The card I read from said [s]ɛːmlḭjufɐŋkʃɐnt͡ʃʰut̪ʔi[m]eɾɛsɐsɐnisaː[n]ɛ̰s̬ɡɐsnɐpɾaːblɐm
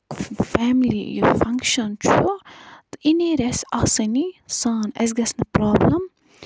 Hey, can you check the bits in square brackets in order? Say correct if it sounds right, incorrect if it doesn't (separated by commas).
incorrect, incorrect, correct